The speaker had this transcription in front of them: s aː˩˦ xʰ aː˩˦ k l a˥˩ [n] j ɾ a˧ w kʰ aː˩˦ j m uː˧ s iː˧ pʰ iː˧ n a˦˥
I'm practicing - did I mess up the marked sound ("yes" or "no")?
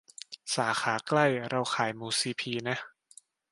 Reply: yes